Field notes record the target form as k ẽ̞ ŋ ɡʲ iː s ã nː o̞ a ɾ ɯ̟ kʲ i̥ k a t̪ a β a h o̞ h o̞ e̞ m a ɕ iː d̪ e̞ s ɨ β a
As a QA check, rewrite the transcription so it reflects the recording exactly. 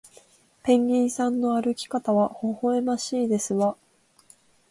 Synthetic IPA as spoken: p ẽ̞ ŋ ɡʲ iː s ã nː o̞ a ɾ ɯ̟ kʲ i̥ k a t̪ a β a h o̞ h o̞ e̞ m a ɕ iː d̪ e̞ s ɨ β a